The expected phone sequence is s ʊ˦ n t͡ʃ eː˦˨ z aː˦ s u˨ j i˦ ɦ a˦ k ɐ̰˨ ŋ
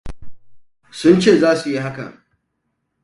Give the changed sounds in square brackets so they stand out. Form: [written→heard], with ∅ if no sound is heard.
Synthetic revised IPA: s ʊ˦ n t͡ʃ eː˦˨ z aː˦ s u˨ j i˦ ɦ a˦ k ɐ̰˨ ŋ